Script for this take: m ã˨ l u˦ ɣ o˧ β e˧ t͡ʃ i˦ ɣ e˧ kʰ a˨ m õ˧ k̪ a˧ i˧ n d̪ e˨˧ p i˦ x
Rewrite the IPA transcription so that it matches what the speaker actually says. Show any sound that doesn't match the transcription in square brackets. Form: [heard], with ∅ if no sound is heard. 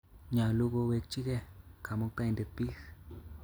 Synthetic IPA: [ɲ] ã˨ l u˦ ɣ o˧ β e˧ t͡ʃ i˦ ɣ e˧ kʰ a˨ m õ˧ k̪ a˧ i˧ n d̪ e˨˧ p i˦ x